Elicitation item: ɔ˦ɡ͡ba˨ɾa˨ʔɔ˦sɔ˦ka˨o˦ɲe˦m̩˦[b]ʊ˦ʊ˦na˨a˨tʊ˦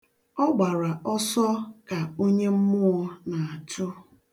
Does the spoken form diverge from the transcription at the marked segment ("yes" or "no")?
yes